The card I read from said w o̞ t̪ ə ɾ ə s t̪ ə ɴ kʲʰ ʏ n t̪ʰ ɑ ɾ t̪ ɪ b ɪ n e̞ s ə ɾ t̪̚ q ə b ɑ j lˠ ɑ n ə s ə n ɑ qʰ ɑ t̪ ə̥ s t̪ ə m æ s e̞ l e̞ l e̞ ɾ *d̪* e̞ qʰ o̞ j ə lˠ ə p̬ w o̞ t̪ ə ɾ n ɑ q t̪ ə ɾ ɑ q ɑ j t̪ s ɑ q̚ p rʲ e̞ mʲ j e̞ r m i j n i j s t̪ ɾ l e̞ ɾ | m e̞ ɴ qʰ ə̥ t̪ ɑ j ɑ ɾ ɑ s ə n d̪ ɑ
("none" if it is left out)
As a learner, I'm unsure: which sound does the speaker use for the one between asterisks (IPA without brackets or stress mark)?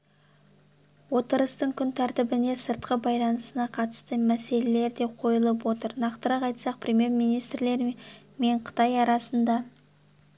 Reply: d̪